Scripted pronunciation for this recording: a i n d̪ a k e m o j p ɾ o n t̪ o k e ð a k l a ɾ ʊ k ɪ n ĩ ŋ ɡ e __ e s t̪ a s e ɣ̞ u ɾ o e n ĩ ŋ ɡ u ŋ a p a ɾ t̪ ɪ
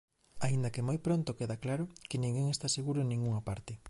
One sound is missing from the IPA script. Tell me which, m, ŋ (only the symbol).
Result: ŋ